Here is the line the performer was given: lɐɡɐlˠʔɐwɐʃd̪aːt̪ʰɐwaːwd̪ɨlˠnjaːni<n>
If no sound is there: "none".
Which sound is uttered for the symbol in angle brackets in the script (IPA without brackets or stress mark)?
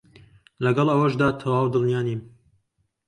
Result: m